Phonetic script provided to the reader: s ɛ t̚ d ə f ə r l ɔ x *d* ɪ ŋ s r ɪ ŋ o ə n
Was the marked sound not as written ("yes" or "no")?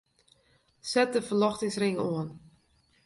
yes